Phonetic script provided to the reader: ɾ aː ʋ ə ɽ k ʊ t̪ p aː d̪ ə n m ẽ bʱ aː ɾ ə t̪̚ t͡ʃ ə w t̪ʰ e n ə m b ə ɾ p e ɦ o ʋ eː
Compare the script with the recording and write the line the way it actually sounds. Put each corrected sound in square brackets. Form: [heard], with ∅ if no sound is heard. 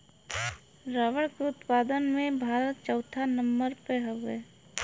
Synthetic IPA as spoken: ɾ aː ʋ ə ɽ k ʊ t̪ p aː d̪ ə n m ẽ bʱ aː ɾ ə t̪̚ t͡ʃ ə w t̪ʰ [a] n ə m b ə ɾ p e ɦ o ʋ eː